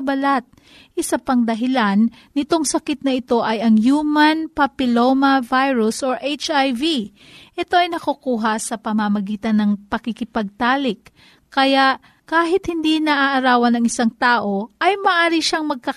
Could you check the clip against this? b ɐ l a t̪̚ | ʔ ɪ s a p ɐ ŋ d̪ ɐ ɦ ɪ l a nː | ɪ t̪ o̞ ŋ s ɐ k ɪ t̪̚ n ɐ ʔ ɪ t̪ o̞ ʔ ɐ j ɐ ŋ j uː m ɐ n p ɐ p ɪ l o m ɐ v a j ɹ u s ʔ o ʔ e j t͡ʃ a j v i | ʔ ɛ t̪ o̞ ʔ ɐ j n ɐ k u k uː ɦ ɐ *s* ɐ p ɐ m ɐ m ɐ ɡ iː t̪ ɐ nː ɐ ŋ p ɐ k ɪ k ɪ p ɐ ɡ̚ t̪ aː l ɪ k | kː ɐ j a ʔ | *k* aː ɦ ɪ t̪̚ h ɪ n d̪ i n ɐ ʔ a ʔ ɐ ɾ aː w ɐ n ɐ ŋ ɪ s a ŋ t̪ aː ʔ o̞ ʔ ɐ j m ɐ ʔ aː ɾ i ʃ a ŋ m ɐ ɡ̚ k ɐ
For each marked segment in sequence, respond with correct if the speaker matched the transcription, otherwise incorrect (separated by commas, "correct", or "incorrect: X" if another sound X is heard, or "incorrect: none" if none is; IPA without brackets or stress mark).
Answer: correct, correct